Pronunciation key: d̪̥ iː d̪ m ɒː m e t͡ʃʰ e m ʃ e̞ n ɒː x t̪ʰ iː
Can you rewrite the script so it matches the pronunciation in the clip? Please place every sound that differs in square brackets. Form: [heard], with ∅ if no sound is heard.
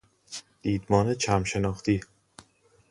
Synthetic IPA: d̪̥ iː d̪ m ɒː [n] e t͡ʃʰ [æ] m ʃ e̞ n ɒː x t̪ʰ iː